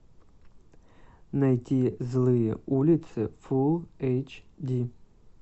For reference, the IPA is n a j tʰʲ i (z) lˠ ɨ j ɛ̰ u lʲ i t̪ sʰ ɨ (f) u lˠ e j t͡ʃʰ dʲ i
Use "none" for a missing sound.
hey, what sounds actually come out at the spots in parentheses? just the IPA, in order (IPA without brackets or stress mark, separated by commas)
z, f